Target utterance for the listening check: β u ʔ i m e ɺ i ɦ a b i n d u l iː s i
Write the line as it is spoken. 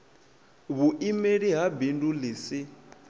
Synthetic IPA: β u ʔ i m e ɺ i ɦ a b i n d u l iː s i